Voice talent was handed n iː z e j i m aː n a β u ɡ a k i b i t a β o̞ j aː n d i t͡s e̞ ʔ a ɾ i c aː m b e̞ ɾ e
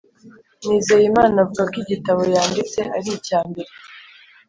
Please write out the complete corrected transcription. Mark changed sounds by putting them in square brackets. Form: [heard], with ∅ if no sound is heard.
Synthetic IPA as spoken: n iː z e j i m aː n a [v] u ɡ a k i [ɟ] i t a β o̞ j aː n d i t͡s e̞ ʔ a ɾ i c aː m b e̞ ɾ e

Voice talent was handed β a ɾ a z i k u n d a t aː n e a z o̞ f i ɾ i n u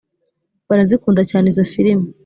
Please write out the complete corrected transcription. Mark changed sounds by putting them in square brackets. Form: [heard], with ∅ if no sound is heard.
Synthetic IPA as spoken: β a ɾ a z i k [uː] n d a [c] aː n e [i] z o̞ f i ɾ i [m] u

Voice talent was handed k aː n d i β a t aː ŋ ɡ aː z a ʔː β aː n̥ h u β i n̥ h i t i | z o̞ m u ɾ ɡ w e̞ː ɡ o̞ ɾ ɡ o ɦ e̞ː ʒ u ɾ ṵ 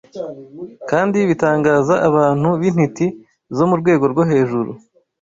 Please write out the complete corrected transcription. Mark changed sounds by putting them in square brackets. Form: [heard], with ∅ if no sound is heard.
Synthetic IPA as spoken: k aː n d i β [i] t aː ŋ ɡ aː z a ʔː β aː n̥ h u β i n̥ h i t i | z o̞ m u ɾ ɡ w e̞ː ɡ o̞ ɾ ɡ o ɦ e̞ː ʒ u ɾ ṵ

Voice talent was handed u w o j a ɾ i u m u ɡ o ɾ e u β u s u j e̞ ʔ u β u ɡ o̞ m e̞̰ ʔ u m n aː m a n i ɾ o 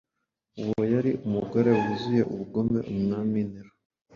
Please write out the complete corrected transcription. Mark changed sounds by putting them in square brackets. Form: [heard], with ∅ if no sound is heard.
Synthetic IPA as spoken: u w o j a ɾ i u m u ɡ o ɾ e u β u [z] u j e̞ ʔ u β u ɡ o̞ m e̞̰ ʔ u m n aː m [i] n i ɾ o

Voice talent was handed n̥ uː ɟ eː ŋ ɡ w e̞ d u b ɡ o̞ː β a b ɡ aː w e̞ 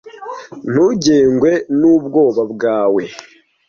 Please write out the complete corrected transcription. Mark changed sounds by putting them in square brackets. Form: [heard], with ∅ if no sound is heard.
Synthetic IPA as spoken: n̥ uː ɟ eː ŋ ɡ w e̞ [n] u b ɡ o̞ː β a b ɡ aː w e̞

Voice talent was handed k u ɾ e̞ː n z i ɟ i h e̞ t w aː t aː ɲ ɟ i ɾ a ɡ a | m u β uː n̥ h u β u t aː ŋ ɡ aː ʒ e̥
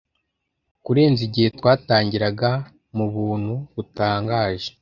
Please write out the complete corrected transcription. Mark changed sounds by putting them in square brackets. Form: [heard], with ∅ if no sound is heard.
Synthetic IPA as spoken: k u ɾ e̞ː n z i ɟ i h e̞ t w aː t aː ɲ ɟ i ɾ a ɡ a | m u β uː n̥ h u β u t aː ŋ ɡ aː ʒ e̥

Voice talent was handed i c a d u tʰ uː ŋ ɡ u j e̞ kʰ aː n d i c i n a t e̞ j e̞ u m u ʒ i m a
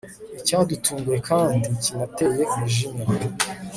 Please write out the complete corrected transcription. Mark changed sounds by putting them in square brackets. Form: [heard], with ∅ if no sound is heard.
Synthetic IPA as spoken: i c a d u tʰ uː ŋ ɡ u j e̞ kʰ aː n d i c i n a t e̞ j e̞ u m u ʒ i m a

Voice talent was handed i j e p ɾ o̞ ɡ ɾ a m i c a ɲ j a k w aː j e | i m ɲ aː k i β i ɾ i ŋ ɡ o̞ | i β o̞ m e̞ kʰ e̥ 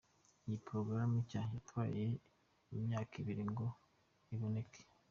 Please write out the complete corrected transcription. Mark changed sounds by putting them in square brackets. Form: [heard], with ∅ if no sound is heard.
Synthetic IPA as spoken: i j [i] p ɾ o̞ ɡ ɾ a m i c a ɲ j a [t] w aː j e | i m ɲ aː k i β i ɾ i ŋ ɡ o̞ | i β o̞ [n] e̞ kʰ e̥

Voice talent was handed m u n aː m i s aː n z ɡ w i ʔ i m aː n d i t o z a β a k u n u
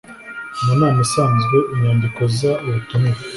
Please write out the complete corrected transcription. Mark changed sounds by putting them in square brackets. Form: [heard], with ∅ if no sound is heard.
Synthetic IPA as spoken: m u n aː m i s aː n z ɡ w [e] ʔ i [ɲ] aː n d i [k] o z a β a [t] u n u

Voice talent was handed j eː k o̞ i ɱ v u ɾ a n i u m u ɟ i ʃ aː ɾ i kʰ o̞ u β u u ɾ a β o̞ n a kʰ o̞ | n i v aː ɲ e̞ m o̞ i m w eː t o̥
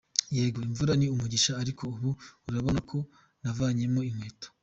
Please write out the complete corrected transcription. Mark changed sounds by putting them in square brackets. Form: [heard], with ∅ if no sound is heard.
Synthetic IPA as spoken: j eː [ɡ] o̞ i ɱ v u ɾ a n i u m u ɟ i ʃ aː ɾ i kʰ o̞ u β u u ɾ a β o̞ n a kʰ o̞ | n [a] v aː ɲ e̞ m o̞ i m w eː t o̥

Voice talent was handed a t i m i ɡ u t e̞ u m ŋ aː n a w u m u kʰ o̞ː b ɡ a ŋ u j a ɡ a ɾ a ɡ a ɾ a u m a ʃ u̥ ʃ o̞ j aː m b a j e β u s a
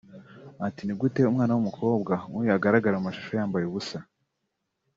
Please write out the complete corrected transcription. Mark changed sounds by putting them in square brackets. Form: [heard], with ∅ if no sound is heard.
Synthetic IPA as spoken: a t i [n] i ɡ u t e̞ u m ŋ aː n a w u m u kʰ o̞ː b ɡ a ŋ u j a ɡ a ɾ a ɡ a ɾ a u m a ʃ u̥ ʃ o̞ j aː m b a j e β u s a

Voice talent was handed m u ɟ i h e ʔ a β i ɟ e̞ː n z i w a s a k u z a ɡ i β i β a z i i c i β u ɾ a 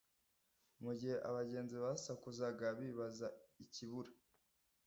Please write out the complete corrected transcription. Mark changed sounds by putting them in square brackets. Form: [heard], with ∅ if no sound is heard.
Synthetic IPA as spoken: m u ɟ i h e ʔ a β [a] ɟ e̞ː n z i [β] a s a k u z a ɡ [a] β i β a z [a] i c i β u ɾ a

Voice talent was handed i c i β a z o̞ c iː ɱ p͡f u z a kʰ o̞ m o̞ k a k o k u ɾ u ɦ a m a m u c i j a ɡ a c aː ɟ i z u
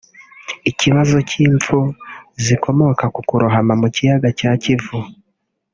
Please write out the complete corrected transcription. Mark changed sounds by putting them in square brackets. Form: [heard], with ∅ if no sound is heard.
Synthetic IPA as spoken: i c i β a z o̞ c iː ɱ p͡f u z [i] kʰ o̞ m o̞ k a k [u] k u ɾ u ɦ a m a m u c i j a ɡ a c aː [c] i [v] u

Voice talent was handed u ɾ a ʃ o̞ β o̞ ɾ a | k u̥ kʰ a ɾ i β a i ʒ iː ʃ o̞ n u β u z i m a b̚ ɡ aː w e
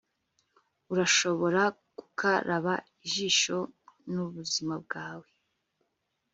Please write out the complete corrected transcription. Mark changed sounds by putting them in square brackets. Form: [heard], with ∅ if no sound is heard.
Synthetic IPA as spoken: u ɾ a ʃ o̞ β o̞ ɾ a | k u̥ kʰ a ɾ [a] β a i ʒ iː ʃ o̞ n u β u z i m a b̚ ɡ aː w e

